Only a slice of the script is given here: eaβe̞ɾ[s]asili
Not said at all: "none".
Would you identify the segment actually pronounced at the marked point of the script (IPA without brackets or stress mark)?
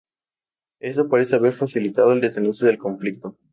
f